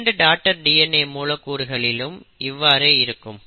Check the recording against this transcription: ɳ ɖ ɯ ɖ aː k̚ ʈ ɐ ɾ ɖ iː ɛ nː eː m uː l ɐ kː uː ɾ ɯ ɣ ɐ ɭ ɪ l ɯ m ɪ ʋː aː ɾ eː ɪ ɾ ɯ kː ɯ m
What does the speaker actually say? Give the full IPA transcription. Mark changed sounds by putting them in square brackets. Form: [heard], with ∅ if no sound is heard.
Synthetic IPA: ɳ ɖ ɯ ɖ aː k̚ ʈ ɐ ɾ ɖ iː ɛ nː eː m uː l ɐ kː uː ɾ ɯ ɣ ɐ ɭ ɪ l ɯ m ɪ ʋː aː ɾ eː ɪ ɾ ɯ kː ɯ m